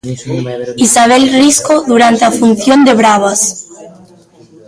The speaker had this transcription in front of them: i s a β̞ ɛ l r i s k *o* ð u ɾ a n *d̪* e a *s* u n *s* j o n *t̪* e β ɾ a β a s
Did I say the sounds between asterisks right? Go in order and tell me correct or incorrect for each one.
correct, incorrect: t̪, incorrect: f, incorrect: θ, incorrect: d̪

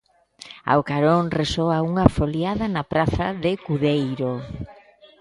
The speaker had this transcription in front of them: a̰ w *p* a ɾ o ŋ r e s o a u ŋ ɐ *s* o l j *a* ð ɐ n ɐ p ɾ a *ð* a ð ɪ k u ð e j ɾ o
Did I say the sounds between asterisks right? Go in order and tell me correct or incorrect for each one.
incorrect: k, incorrect: f, correct, incorrect: θ

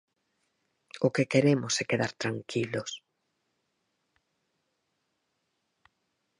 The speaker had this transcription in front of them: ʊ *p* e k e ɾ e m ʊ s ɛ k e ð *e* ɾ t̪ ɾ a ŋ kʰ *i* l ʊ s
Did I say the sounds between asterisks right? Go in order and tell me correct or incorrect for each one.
incorrect: k, incorrect: a, correct

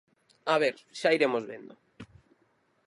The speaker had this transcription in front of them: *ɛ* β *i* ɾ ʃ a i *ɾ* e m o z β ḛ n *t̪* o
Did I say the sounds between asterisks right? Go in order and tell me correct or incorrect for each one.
incorrect: a, incorrect: e, correct, incorrect: d̪

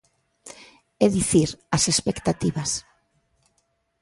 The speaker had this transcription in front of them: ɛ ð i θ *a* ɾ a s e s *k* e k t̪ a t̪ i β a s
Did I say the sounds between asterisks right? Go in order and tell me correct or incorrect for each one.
incorrect: i, incorrect: p

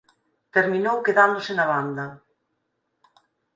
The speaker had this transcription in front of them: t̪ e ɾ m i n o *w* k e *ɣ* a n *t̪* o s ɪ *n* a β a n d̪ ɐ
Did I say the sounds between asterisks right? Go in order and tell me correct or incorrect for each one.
correct, incorrect: ð, incorrect: d̪, correct

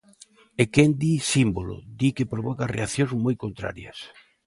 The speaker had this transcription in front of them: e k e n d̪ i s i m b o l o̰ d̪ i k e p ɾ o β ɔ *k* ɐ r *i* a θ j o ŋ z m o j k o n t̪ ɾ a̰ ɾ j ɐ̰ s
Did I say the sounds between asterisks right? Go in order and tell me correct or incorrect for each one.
correct, incorrect: e

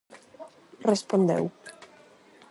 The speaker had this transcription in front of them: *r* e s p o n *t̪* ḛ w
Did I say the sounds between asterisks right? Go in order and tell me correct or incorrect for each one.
correct, incorrect: d̪

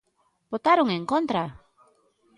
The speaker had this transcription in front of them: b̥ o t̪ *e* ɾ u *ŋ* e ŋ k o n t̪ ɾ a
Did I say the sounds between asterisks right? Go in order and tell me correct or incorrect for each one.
incorrect: a, correct

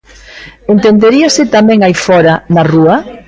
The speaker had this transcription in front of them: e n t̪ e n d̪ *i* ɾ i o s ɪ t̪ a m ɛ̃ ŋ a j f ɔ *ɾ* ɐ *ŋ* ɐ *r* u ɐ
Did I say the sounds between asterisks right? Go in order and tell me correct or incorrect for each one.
incorrect: e, correct, incorrect: n, correct

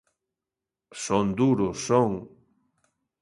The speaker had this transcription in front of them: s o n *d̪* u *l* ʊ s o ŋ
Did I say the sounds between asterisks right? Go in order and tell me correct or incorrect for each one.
correct, incorrect: ɾ

